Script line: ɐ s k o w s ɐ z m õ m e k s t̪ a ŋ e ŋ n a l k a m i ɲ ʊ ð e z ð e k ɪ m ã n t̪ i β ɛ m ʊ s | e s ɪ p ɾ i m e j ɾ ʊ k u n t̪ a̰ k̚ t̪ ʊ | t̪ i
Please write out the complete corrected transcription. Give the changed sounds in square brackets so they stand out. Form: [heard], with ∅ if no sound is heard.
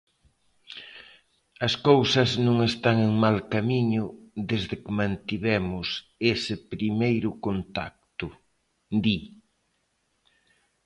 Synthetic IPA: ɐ s k o w s ɐ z [n] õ [ŋ] e [∅] s t̪ a ŋ e ŋ [m] a l k a m i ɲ ʊ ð e z ð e k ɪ m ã n t̪ i β ɛ m ʊ s | e s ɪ p ɾ i m e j ɾ ʊ k [o] n t̪ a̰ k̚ t̪ ʊ | [d̪] i